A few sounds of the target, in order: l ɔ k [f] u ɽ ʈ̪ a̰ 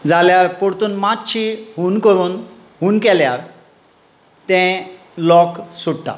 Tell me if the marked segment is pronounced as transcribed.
no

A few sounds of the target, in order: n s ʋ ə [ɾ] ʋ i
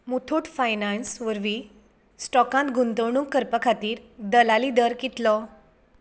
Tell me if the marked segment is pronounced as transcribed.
yes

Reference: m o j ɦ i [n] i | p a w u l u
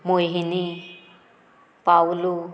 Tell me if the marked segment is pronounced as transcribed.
yes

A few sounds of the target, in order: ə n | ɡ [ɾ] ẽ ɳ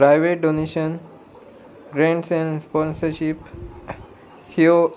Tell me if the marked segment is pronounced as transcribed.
yes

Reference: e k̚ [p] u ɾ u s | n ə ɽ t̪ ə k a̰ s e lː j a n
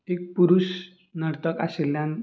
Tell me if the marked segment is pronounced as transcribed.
yes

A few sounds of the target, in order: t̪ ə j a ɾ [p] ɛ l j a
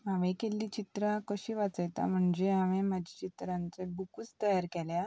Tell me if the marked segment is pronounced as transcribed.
no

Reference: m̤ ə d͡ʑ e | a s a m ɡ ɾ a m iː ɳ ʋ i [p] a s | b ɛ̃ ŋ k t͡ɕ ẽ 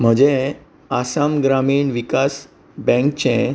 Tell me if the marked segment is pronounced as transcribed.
no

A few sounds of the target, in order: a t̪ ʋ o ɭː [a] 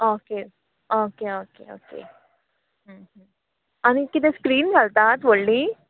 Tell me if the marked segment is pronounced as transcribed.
no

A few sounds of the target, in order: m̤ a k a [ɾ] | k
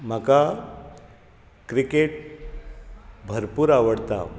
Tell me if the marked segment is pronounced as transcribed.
no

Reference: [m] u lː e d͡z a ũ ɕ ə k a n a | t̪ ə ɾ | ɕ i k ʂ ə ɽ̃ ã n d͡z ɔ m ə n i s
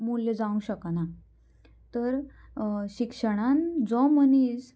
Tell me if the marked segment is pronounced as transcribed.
yes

